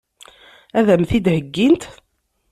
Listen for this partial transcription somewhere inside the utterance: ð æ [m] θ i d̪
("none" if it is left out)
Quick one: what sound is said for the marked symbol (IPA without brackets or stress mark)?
m